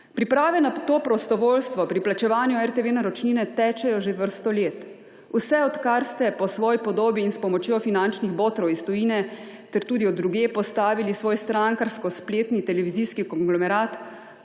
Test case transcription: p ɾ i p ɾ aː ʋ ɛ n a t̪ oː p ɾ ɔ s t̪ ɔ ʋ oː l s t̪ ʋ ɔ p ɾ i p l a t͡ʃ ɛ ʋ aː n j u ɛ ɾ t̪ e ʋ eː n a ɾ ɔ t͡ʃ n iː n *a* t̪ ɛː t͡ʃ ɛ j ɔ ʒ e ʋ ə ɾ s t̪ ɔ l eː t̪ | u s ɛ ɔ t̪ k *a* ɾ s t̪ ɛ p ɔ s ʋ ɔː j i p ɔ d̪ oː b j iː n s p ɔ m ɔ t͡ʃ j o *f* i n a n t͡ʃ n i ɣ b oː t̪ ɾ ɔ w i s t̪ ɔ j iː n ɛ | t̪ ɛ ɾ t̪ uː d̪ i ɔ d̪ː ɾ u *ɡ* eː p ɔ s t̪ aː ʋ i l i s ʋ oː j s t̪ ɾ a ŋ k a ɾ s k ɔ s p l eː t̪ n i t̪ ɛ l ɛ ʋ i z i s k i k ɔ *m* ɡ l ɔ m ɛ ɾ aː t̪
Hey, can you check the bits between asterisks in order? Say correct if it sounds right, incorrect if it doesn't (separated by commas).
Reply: incorrect, correct, correct, correct, incorrect